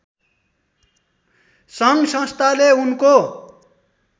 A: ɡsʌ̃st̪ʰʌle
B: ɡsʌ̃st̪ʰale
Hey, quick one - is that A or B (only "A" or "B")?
B